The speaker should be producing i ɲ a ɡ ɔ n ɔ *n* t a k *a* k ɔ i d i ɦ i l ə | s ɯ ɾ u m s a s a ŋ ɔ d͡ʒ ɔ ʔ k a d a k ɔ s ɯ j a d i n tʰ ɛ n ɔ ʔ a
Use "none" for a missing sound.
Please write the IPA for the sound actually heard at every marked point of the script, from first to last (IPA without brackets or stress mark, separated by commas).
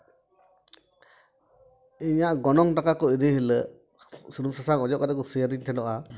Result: ŋ, a